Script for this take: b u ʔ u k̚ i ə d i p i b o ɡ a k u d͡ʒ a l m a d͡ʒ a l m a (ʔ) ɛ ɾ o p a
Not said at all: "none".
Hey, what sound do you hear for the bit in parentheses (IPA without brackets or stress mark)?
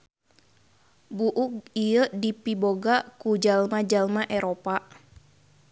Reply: ʔ